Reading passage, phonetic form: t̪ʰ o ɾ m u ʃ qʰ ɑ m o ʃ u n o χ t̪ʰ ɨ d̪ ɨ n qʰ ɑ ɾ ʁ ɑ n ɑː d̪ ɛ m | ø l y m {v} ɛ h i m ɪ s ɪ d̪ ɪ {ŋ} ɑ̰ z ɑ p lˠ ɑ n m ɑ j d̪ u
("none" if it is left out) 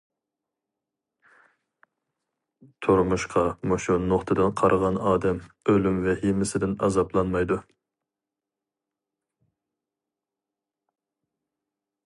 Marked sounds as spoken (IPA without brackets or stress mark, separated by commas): v, n